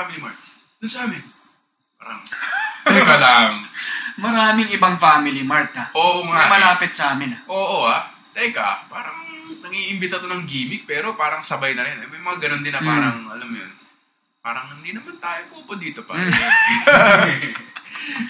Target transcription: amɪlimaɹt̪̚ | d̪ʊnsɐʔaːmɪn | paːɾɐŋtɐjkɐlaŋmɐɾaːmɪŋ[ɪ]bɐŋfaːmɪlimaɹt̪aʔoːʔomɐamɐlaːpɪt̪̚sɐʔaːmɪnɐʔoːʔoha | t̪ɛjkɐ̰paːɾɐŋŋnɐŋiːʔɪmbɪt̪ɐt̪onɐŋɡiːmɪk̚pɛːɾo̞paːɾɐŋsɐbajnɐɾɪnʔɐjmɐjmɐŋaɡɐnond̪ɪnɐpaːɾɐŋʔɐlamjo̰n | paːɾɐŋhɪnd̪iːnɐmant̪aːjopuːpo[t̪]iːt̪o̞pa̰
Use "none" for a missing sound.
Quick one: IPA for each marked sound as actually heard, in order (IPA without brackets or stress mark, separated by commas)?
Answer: ɪ, d̪